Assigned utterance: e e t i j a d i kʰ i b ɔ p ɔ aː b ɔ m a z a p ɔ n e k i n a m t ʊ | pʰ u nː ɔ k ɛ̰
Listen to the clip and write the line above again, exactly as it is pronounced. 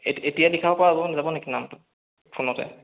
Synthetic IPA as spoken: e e t i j a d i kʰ a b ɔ p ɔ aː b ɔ n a z a b ɔ n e k i n a m t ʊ | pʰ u n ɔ t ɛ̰